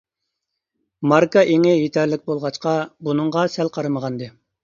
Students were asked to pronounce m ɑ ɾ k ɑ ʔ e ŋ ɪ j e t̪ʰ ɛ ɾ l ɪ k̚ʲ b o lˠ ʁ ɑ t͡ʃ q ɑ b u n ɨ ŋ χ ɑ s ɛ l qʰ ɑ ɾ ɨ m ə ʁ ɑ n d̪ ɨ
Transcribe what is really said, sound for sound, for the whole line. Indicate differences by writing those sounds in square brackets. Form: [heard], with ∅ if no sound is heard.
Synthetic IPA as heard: m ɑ ɾ k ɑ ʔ e ŋ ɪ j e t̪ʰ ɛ ɾ l ɪ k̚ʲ b o lˠ ʁ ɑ t͡ʃ q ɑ b u n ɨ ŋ [ʁ] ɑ s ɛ l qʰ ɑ ɾ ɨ m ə ʁ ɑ n d̪ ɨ